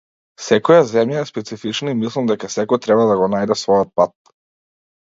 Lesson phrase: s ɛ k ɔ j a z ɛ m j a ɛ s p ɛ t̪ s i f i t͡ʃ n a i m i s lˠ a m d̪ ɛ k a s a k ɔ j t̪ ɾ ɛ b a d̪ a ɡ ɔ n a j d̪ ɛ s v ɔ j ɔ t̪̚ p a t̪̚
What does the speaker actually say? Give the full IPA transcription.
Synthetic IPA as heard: s ɛ k ɔ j a z ɛ m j a ɛ s p ɛ t̪ s i f i t͡ʃ n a i m i s lˠ a m d̪ ɛ k a s ɛ k ɔ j t̪ ɾ ɛ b a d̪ a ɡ ɔ n a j d̪ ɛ s v ɔ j ɔ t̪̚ p a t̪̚